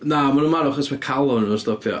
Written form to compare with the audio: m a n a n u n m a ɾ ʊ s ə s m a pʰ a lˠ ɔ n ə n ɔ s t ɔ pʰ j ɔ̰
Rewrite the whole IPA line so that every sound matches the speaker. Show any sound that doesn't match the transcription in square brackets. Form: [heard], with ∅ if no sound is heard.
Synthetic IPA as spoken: [n] a [m] a n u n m a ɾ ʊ [χ] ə s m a [kʰ] a lˠ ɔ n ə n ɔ s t ɔ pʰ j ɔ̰